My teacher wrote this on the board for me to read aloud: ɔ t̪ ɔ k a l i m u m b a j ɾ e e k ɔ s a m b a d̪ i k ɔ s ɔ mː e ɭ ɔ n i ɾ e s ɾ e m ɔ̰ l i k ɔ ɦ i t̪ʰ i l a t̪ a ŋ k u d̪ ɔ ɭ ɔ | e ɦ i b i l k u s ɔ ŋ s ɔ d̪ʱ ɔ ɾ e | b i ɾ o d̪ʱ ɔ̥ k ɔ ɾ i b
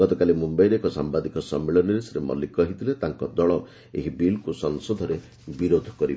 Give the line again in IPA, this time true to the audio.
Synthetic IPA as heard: ɔ t̪ ɔ k a l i m u m b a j ɾ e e k ɔ s a m b a d̪ i k ɔ s ɔ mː e ɭ ɔ n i ɾ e s ɾ e m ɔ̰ l i k ɔ ɦ i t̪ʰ i l e t̪ a ŋ k ɔ d̪ ɔ ɭ ɔ | e ɦ i b i l k u s ɔ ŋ s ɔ d̪ʱ ɔ ɾ e | b i ɾ o d̪ʱ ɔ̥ k ɔ ɾ i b

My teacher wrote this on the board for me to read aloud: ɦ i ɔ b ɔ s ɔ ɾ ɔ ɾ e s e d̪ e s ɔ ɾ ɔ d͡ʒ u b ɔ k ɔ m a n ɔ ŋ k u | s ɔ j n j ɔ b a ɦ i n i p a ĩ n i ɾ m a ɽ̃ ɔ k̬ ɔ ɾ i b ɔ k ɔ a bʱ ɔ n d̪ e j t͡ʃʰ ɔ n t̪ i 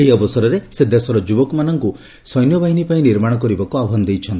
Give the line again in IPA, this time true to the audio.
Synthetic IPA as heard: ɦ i ɔ b ɔ s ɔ ɾ ɔ ɾ e s e d̪ e s ɔ ɾ ɔ d͡ʒ u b ɔ k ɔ m a n ɔ ŋ k u | s ɔ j n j ɔ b a ɦ i n i p a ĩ n i ɾ m a ɽ̃ ɔ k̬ ɔ ɾ i b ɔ k u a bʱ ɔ n d̪ e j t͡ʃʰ ɔ n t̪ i

